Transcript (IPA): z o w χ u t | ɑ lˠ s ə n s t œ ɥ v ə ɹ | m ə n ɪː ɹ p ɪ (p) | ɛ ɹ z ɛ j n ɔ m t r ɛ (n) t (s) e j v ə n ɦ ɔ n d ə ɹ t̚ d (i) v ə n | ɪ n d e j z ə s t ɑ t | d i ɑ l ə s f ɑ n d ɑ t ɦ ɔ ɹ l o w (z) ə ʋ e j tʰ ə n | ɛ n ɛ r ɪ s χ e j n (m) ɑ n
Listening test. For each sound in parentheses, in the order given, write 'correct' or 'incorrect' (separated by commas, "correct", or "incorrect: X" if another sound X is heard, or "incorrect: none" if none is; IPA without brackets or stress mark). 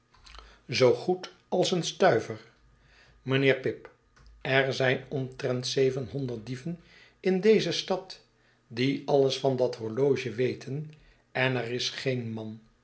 correct, correct, correct, correct, incorrect: ʒ, correct